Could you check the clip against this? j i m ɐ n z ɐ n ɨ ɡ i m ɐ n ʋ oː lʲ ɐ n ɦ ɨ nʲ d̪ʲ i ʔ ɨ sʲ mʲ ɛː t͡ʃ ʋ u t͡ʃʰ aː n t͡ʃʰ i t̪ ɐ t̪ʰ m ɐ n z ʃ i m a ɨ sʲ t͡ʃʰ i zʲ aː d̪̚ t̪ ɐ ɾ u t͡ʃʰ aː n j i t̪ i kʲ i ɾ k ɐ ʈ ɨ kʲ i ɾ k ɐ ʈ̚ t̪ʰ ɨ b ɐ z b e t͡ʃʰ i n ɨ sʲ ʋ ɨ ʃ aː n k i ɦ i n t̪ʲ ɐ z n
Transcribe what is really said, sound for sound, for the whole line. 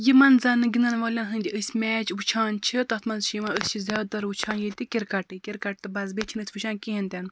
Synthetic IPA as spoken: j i m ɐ n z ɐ n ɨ ɡ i n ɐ n ʋ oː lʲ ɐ n ɦ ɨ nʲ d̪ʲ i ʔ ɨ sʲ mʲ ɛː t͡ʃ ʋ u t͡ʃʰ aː n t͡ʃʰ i t̪ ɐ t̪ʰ m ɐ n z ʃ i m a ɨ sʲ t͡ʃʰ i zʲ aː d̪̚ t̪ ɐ ɾ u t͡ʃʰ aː n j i t̪ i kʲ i ɾ k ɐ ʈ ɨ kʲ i ɾ k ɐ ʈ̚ t̪ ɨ b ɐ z b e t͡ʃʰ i n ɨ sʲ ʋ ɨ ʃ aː n k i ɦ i n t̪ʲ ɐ n